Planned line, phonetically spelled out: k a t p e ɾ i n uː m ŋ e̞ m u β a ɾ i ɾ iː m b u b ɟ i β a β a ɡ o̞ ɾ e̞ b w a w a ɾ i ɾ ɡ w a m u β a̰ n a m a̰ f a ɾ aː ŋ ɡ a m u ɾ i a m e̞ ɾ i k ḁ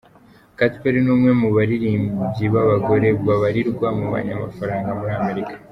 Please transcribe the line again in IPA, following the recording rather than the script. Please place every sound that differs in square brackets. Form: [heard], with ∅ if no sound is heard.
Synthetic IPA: k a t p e ɾ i n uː m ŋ e̞ m u β a ɾ i ɾ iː m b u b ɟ i β a β a ɡ o̞ ɾ e̞ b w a [β] a ɾ i ɾ ɡ w a m u β a̰ [ɲ] a m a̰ f a ɾ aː ŋ ɡ a m u ɾ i a m e̞ ɾ i k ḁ